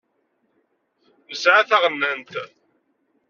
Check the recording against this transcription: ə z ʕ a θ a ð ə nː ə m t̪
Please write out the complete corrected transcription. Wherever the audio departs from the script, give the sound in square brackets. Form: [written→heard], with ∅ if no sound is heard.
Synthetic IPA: ə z ʕ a θ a [ð→ʁ] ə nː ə [m→n] t̪